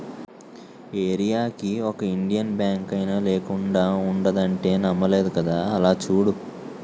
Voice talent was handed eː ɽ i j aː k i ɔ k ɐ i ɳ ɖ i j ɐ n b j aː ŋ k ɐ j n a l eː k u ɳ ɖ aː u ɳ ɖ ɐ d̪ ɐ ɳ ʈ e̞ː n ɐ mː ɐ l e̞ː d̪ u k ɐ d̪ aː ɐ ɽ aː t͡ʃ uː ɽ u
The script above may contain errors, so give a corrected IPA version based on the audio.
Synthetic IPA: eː ɾ i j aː k i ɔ k ɐ i ɳ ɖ i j ɐ n b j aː ŋ k ɐ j n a l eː k u ɳ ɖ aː u ɳ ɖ ɐ d̪ ɐ ɳ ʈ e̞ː n ɐ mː ɐ l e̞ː d̪ u k ɐ d̪ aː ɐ l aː t͡ʃ uː ɽ u

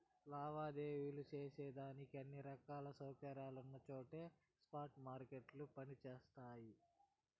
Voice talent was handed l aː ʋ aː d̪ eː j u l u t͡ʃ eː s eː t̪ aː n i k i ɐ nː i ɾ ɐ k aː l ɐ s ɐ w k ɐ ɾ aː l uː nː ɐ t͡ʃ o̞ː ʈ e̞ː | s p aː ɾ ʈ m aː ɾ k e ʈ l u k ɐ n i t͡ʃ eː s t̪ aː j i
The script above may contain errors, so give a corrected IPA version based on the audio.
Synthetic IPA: l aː ʋ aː d̪ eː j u l u t͡ʃ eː s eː d̪ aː n i k i ɐ nː i ɾ ɐ k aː l ɐ s ɐ w k ɐ ɾ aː l u nː ɐ t͡ʃ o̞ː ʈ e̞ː | s p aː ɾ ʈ m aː ɾ k e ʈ l u p ɐ n i t͡ʃ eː s t̪ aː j i

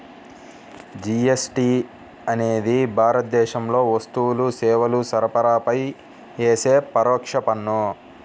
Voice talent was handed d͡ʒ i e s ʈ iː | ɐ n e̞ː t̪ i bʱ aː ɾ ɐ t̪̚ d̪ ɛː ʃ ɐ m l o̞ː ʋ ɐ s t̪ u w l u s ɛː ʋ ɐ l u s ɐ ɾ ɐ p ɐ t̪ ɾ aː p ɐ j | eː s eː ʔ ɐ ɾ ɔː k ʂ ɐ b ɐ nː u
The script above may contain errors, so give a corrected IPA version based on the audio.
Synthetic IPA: d͡ʒ i e s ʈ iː | ɐ n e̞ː d̪ i bʱ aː ɾ ɐ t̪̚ d̪ ɛː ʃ ɐ m l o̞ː ʋ ɐ s t̪ u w l u s ɛː ʋ ɐ l u s ɐ ɾ ɐ p ɐ ɾ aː p ɐ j | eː s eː p ɐ ɾ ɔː k ʂ ɐ p ɐ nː u

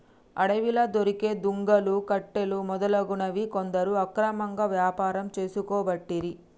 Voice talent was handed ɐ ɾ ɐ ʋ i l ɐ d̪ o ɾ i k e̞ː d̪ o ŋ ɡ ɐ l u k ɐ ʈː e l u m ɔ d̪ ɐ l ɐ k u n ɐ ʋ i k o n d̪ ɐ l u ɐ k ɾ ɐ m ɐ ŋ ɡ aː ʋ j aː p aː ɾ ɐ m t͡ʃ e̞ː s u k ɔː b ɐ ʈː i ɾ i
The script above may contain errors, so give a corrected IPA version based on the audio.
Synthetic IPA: ɐ ɽ ɐ ʋ i l ɐ d̪ o ɾ i k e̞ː d̪ u ŋ ɡ ɐ l u k ɐ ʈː e l u m ɔ d̪ ɐ l ɐ ɡ u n ɐ ʋ i k o n d̪ ɐ ɾ u ɐ k ɾ ɐ m ɐ ŋ ɡ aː ʋ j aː p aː ɾ ɐ m t͡ʃ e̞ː s u k ɔː b ɐ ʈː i ɾ i

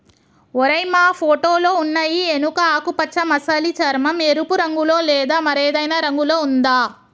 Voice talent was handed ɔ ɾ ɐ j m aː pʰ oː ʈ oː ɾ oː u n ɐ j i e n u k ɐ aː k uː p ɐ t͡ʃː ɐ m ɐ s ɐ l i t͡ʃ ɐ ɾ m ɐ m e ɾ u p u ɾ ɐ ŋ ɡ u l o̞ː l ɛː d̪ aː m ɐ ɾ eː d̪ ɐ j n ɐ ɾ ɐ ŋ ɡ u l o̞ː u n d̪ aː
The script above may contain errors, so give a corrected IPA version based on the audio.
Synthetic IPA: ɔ ɾ ɐ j m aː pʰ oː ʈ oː l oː u nː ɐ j i e n u k ɐ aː k u p ɐ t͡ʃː ɐ m ɐ s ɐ l i t͡ʃ ɐ ɾ m ɐ m e ɾ u p u ɾ ɐ ŋ ɡ u l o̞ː l ɛː d̪ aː m ɐ ɾ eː d̪ ɐ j n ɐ ɾ ɐ ŋ ɡ u l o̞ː u n d̪ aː

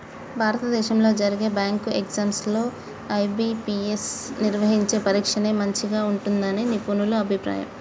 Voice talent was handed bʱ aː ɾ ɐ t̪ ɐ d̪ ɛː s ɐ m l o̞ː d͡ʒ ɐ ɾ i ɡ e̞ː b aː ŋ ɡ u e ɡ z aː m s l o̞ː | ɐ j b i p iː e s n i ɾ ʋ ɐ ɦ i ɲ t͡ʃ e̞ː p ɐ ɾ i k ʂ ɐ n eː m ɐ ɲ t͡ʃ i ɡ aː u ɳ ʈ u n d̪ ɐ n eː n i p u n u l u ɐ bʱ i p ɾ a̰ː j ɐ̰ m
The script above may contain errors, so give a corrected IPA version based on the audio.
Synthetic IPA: bʱ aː ɾ ɐ t̪ ɐ d̪ ɛː ʃ ɐ m l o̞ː d͡ʒ ɐ ɾ i ɡ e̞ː b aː ŋ k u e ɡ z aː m s l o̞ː | ɐ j b i p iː e s n i ɾ ʋ ɐ ɦ i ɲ t͡ʃ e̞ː p ɐ ɾ iː k ʂ ɐ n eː m ɐ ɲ t͡ʃ i ɡ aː u ɳ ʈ u n d̪ ɐ n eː n i p u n u l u ɐ bʱ i p ɾ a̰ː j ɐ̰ m

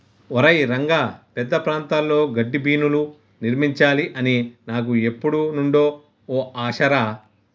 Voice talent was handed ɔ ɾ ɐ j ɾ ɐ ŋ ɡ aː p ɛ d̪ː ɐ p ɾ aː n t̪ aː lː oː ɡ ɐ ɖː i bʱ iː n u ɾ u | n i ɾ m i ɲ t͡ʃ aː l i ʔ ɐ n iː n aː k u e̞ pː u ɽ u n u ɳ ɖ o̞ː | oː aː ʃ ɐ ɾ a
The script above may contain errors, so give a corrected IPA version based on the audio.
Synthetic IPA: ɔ ɾ ɐ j ɾ ɐ ŋ ɡ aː p ɛ d̪ː ɐ p ɾ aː n t̪ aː lː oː ɡ ɐ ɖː i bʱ iː n u l u | n i ɾ m i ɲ t͡ʃ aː l i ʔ ɐ n i n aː k u e̞ pː u ɽ u n u ɳ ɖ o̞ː | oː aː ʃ ɐ ɾ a

